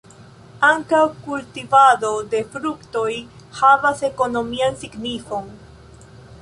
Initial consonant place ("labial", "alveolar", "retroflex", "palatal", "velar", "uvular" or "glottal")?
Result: velar